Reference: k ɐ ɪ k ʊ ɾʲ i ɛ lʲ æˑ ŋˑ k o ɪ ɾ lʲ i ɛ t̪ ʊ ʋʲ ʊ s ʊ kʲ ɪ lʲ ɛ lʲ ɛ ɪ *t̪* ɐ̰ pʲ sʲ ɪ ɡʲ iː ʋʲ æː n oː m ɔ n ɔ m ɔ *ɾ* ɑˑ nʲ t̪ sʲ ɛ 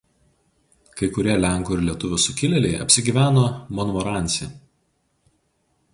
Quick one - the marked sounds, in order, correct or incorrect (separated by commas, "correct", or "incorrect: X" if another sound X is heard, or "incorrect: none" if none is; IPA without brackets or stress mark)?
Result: incorrect: none, correct